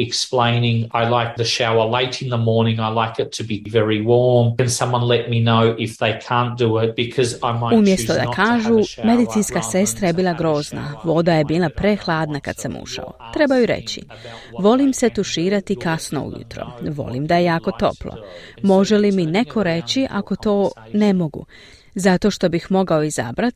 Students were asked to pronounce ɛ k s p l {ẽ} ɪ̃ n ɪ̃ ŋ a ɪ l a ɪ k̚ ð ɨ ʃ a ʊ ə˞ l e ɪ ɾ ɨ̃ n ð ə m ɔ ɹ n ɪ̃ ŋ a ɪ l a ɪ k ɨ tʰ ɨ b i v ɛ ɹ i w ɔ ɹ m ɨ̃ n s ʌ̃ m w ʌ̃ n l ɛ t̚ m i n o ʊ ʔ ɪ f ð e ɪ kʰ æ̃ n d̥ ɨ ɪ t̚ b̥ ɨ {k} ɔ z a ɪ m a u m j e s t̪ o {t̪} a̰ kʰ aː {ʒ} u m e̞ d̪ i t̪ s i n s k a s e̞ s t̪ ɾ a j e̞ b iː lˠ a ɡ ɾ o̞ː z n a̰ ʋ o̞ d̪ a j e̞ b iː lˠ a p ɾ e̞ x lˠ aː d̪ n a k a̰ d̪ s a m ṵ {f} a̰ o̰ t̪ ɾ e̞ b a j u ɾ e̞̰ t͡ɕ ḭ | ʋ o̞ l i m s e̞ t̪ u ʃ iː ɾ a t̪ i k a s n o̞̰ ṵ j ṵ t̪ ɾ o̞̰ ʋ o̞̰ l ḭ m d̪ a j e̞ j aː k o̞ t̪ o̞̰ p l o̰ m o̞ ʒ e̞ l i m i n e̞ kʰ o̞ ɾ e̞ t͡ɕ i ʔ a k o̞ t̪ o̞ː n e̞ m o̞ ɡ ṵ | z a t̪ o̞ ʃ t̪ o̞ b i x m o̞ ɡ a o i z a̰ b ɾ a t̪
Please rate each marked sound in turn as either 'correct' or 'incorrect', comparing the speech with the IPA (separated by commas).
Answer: correct, incorrect, incorrect, correct, incorrect